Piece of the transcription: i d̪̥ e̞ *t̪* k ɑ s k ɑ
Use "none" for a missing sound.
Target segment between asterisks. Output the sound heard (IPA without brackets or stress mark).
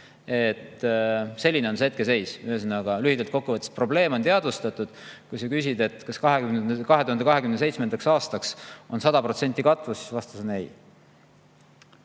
t̪